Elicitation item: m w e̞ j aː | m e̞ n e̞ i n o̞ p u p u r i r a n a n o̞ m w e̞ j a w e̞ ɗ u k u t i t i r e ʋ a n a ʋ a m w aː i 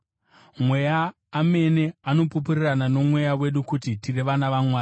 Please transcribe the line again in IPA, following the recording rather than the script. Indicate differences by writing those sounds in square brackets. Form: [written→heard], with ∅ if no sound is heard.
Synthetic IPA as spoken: m w e̞ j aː | m e̞ n e̞ [i→a] n o̞ p u p u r i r a n a n o̞ m w e̞ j a w e̞ ɗ u k u t i t i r e ʋ a n a ʋ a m w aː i